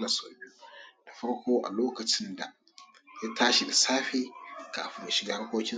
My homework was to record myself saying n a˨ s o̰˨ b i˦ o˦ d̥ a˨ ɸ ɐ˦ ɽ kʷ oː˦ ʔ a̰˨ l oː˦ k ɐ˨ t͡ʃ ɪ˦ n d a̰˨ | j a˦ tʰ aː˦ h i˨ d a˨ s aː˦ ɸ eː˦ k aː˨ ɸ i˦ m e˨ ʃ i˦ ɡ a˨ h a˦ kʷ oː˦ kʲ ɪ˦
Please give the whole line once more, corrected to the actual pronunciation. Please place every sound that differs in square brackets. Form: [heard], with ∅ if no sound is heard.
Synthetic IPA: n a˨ s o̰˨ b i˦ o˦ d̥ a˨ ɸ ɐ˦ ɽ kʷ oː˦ ʔ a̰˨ l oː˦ k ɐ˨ t͡ʃ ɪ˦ n d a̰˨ | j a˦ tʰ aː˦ [ʃ] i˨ d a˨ s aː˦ ɸ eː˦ k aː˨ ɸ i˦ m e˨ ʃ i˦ ɡ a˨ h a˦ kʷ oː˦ kʲ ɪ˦